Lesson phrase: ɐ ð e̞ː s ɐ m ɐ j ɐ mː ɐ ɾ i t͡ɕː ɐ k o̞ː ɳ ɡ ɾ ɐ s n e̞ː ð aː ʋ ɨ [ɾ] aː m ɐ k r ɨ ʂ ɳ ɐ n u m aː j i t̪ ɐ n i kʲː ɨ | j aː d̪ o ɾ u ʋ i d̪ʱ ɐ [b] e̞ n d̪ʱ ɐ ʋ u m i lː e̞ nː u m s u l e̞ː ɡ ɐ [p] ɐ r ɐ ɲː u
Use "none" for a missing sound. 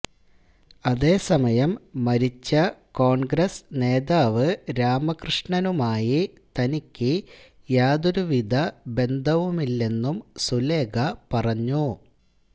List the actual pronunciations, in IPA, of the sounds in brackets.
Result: ɾ, b, p

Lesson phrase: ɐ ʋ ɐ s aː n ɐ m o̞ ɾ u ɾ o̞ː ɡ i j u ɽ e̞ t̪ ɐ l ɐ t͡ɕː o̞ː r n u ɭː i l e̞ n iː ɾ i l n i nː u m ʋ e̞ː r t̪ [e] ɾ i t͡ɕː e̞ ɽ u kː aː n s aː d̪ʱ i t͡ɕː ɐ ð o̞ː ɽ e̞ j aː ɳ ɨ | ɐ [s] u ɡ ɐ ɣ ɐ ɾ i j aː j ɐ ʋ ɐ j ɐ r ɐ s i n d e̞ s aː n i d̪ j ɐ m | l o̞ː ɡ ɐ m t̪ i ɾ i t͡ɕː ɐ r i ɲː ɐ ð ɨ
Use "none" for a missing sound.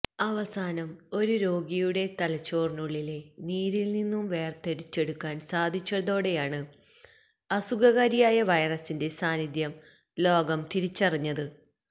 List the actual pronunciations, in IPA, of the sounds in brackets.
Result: e, s

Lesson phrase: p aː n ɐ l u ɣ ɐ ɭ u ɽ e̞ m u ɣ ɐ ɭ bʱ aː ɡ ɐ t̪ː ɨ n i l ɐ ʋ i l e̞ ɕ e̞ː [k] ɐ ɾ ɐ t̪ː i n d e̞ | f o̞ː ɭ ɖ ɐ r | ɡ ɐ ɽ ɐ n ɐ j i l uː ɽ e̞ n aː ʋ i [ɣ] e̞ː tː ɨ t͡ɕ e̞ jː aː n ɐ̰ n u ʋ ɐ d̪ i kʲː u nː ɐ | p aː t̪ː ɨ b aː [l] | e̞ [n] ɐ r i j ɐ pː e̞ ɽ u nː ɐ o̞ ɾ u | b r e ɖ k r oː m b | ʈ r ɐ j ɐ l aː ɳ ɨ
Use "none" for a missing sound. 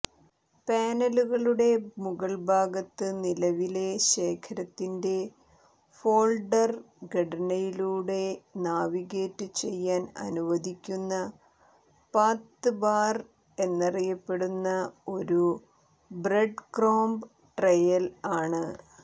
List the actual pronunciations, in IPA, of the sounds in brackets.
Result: kʰ, ɣ, r, nː

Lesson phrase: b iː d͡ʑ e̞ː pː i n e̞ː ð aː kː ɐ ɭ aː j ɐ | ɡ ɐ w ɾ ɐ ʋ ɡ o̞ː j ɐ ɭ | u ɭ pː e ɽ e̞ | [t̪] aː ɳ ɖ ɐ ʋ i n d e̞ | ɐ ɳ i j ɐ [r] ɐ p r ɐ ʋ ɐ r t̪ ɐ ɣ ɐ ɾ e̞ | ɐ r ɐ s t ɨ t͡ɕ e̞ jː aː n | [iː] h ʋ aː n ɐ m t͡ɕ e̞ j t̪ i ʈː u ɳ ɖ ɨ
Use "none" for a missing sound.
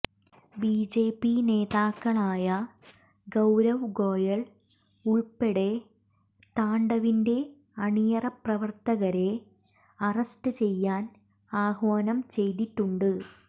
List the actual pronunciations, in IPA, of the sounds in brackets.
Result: t̪, r, aː

